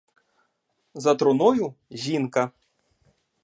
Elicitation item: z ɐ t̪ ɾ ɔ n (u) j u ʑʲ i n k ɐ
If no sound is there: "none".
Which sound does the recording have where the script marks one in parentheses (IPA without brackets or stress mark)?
ɔ